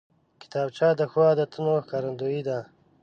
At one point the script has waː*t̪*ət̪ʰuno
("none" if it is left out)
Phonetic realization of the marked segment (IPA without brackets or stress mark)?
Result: d̪